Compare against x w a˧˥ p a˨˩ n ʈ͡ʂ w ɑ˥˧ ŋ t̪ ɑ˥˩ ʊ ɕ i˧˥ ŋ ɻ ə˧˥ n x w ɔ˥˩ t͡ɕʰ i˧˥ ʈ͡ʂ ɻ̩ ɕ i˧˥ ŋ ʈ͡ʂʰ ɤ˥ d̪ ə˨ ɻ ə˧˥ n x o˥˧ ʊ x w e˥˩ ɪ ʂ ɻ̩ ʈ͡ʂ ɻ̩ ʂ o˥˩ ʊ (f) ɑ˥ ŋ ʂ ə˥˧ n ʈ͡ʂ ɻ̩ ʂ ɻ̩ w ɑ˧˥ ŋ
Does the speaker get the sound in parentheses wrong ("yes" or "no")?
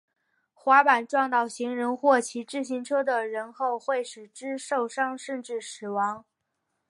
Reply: yes